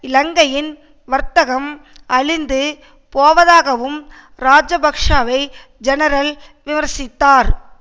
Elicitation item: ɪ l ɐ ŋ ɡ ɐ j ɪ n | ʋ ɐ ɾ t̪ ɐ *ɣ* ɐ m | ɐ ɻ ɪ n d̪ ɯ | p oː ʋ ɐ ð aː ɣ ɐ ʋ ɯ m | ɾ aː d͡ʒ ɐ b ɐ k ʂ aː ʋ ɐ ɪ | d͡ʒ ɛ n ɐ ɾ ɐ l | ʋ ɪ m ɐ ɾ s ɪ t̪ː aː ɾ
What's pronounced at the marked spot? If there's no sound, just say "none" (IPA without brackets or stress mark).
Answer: ɣ